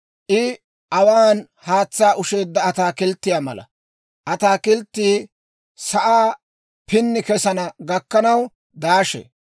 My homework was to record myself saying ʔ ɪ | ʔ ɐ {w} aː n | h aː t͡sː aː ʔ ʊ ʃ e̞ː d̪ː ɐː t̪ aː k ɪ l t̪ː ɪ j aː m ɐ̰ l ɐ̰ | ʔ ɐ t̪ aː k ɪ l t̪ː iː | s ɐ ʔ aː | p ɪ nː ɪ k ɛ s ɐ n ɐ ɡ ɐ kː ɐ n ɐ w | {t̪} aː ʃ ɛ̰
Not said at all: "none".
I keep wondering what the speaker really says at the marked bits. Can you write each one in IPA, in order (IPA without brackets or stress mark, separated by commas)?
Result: w, d̪